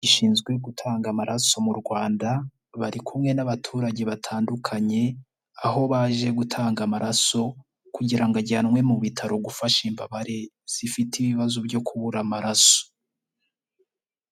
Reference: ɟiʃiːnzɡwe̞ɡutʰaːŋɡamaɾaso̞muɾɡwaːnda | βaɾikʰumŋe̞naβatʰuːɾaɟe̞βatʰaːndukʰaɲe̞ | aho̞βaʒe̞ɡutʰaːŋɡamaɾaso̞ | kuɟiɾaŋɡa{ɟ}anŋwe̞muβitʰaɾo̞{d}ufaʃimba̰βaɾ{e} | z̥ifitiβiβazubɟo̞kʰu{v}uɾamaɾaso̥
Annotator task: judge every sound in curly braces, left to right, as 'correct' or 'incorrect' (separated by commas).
correct, incorrect, correct, incorrect